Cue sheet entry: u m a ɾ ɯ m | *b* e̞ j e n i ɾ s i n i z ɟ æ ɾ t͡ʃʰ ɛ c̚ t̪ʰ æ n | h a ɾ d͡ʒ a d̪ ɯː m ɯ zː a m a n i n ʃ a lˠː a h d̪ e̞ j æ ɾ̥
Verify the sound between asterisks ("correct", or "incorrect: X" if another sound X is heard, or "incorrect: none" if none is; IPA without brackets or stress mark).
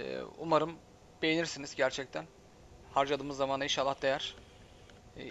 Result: correct